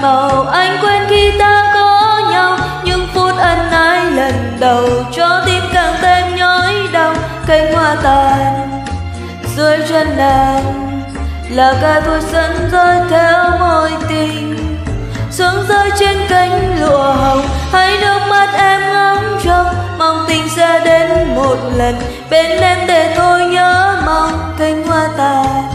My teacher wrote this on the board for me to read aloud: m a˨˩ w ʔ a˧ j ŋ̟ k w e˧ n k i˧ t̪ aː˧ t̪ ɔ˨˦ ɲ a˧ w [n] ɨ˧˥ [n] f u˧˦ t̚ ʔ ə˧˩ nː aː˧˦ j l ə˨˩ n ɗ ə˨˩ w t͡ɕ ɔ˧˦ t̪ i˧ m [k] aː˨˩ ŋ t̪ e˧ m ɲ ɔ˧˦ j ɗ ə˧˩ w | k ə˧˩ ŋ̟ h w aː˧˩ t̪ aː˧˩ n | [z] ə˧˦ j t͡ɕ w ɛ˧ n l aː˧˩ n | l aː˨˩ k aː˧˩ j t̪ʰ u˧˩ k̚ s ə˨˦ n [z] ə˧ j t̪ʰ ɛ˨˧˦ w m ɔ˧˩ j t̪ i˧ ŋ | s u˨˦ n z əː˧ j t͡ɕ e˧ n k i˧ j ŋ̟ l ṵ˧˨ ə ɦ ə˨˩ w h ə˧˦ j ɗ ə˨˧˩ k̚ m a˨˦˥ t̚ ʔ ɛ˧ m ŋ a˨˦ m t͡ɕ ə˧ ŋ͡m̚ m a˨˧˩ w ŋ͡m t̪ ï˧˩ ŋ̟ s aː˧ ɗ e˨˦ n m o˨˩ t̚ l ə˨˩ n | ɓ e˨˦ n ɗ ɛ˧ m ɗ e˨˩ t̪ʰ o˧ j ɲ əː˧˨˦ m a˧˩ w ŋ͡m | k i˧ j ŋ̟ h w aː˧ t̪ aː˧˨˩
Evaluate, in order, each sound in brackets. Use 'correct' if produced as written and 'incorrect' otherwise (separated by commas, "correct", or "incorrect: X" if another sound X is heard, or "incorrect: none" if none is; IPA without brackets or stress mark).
incorrect: ɲ, incorrect: ŋ, correct, correct, correct